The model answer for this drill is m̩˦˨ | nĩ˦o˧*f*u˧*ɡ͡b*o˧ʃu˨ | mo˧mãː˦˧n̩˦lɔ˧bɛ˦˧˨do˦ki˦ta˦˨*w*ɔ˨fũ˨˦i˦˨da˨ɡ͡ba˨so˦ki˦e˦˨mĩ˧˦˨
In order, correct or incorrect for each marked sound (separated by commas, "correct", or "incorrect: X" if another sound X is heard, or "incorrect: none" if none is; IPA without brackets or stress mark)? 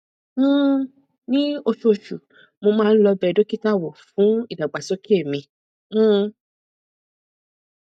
incorrect: ʃ, incorrect: none, correct